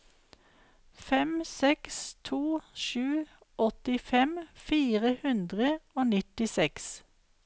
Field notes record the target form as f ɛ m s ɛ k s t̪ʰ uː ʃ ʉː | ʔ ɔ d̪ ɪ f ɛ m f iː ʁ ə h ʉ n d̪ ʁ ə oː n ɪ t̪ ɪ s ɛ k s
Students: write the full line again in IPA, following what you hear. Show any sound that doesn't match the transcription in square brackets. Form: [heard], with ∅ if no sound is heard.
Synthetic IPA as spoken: f ɛ m s ɛ k s t̪ʰ uː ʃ ʉː | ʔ ɔ [t̪] ɪ f ɛ m f iː ʁ ə h ʉ n d̪ ʁ ə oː n ɪ t̪ ɪ s ɛ k s